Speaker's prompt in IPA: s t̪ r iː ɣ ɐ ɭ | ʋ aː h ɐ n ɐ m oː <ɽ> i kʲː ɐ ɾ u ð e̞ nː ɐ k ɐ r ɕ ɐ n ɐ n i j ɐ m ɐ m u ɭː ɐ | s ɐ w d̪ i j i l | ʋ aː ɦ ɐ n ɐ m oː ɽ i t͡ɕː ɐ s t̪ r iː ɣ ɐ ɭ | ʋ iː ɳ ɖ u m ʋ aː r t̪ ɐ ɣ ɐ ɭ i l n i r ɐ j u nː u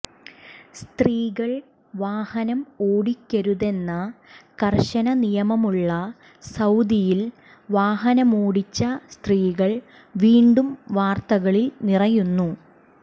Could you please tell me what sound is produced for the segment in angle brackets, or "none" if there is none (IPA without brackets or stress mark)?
ɽ